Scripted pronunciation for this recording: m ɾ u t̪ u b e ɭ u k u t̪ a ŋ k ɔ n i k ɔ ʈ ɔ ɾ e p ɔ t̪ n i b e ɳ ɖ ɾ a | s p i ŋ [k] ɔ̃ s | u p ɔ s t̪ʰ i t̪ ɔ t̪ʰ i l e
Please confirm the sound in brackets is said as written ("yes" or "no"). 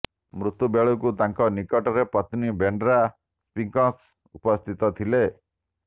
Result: yes